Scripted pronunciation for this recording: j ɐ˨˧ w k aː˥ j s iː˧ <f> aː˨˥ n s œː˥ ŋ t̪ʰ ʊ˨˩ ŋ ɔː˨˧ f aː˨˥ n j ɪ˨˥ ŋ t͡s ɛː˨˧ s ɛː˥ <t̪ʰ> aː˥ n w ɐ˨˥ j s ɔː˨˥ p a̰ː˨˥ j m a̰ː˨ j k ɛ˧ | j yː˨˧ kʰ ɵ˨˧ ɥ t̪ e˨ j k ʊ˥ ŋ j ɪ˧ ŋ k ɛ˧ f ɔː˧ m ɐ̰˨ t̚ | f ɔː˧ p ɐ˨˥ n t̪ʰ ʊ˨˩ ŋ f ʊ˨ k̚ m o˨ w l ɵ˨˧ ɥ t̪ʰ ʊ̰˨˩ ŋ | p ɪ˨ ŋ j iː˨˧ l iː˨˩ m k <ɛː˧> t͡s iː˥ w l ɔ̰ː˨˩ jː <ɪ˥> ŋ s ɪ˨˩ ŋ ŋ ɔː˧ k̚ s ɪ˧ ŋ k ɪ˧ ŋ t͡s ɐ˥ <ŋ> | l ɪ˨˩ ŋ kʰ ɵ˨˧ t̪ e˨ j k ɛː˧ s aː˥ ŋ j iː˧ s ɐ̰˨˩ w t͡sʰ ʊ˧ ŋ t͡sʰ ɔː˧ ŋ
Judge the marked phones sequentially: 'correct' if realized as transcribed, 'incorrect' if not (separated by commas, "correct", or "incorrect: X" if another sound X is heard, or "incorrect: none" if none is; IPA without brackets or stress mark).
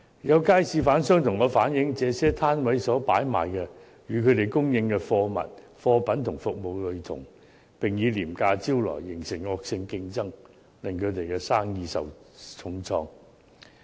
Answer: correct, correct, incorrect: aː˧, incorrect: ɪ˨˩, correct